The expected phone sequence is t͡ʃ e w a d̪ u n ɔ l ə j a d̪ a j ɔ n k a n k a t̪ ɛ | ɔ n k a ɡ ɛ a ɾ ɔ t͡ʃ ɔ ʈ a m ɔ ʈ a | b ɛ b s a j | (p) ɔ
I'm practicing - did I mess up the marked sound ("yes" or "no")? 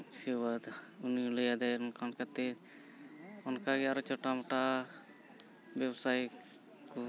yes